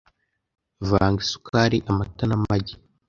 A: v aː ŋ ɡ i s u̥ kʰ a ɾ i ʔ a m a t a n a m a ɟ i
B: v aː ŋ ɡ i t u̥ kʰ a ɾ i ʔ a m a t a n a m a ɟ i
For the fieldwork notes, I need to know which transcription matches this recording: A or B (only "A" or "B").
A